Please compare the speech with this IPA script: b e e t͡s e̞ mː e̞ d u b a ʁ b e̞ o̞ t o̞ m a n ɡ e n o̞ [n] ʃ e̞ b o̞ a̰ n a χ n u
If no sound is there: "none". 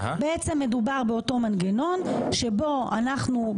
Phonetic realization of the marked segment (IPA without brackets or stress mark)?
n